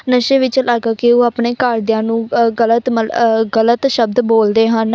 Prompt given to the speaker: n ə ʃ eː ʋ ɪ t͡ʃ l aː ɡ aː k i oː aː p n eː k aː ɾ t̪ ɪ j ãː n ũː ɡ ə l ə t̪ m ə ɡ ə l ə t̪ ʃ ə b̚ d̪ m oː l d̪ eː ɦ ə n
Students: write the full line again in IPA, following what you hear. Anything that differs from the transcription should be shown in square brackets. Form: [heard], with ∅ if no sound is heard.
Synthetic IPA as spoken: n ə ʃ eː ʋ ɪ t͡ʃ l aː ɡ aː k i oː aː p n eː k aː ɾ [d̪] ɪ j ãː n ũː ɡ ə l ə t̪ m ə ɡ ə l ə t̪ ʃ ə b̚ d̪ [b] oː l d̪ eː ɦ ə n